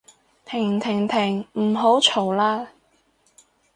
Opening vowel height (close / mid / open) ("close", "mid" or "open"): close